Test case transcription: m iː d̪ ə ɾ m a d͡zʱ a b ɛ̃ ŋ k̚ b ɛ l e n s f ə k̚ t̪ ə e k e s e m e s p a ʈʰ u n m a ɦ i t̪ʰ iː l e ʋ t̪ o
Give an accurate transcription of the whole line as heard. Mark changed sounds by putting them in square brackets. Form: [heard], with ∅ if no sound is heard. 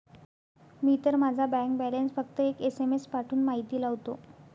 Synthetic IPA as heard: m iː [t̪] ə ɾ m a d͡zʱ a b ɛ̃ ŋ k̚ b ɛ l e n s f ə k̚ t̪ ə e k e s e m e s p a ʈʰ [uː] n m a ɦ i [t̪] iː l [a] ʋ t̪ o